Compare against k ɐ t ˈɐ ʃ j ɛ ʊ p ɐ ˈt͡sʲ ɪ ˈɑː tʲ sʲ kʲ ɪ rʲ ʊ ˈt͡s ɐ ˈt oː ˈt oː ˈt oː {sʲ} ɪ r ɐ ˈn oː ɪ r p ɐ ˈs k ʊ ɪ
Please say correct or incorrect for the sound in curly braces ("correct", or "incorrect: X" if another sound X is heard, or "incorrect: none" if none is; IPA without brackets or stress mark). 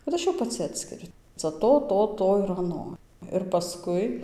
incorrect: none